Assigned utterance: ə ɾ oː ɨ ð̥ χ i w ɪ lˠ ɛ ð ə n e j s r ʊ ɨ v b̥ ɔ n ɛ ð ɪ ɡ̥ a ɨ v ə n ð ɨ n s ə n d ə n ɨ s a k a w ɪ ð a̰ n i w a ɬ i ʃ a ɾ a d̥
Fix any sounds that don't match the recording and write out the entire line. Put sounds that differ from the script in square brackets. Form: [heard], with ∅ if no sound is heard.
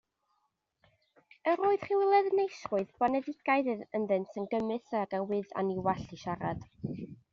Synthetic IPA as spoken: ə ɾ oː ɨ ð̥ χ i w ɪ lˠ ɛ ð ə n e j s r ʊ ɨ [ð] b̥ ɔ n ɛ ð ɪ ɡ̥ a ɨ [ð] ə n ð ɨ n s ə n [ɡ] ə [m] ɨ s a [ɡ] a w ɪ ð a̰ n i w a ɬ i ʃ a ɾ a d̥